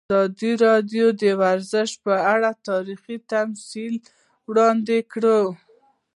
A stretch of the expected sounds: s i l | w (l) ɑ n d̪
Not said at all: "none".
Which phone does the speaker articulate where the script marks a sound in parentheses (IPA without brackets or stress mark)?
ɽ